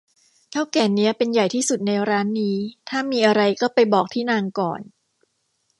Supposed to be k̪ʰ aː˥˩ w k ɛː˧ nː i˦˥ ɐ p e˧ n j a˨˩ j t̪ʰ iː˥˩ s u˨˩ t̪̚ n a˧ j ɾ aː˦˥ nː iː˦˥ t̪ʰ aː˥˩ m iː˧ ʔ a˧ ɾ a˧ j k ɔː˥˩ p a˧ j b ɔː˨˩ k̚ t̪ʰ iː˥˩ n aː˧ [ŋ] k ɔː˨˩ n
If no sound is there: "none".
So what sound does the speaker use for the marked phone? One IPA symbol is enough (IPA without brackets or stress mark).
ŋ